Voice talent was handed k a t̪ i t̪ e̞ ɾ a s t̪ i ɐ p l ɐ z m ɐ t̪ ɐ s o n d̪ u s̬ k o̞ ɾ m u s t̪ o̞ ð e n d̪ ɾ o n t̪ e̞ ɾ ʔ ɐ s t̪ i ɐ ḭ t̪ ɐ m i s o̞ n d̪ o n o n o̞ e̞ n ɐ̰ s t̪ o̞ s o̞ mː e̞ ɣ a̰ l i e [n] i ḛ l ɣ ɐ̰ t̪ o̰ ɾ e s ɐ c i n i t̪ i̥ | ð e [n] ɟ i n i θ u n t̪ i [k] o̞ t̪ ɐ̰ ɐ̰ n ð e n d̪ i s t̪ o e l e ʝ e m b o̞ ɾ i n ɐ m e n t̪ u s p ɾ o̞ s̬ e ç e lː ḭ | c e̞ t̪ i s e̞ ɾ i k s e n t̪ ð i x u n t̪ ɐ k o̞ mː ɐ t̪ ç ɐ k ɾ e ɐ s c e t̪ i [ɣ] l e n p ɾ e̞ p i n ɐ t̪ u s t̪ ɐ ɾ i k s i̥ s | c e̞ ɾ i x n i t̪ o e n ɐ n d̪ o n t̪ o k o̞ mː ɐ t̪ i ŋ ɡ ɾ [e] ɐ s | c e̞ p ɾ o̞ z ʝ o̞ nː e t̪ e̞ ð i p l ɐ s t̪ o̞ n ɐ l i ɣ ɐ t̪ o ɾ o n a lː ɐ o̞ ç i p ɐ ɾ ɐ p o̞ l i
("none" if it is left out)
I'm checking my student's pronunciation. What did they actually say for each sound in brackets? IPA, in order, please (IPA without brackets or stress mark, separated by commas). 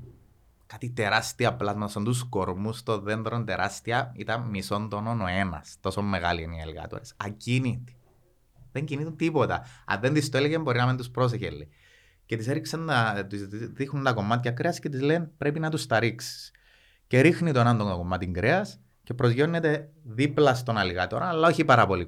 n, ɲ, p, z, e